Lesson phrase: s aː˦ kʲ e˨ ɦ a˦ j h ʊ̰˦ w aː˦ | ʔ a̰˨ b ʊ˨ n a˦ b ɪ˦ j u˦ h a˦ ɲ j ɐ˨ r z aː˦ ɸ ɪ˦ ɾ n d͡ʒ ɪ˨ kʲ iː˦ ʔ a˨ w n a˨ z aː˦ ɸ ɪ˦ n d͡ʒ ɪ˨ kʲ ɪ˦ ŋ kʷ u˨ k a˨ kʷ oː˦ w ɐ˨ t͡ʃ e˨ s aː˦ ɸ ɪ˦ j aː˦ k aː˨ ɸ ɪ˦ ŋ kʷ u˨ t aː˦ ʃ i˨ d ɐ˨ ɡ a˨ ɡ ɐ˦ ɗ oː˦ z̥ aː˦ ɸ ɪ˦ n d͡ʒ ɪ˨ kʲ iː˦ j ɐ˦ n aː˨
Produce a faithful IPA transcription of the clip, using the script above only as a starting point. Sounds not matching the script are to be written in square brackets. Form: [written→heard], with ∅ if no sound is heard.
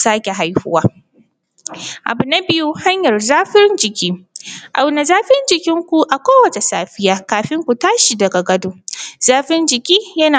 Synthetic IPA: s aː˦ kʲ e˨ ɦ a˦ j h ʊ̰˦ w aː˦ | ʔ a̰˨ b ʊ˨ n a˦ b ɪ˦ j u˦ h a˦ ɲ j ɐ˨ r z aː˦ ɸ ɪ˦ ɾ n d͡ʒ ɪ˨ kʲ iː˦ ʔ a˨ w n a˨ z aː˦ ɸ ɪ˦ n d͡ʒ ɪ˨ kʲ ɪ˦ ŋ kʷ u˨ [k→ʔ] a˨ kʷ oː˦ w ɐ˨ t͡ʃ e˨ s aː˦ ɸ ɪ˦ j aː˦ k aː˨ ɸ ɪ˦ ŋ kʷ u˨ t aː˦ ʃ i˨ d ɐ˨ ɡ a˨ ɡ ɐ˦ [ɗ→d] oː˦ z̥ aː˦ ɸ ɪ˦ n d͡ʒ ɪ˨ kʲ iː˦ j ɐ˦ n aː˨